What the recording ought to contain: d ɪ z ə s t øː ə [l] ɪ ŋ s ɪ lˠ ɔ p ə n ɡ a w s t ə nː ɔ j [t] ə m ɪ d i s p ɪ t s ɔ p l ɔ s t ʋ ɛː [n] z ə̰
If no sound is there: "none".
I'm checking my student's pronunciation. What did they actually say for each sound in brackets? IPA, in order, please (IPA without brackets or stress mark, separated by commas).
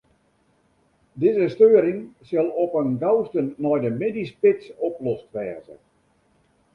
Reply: ɾ, d, none